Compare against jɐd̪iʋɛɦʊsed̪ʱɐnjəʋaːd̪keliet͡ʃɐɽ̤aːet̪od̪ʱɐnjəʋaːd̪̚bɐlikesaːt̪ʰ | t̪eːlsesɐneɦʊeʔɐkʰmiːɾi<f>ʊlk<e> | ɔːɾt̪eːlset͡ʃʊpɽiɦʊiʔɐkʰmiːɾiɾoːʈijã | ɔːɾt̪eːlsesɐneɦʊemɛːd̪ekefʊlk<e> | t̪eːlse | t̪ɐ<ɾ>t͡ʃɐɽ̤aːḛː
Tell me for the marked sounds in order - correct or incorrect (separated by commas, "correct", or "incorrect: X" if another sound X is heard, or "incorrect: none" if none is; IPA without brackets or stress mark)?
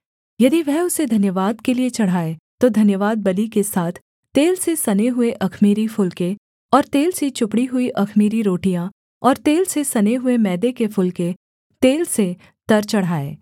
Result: correct, correct, correct, correct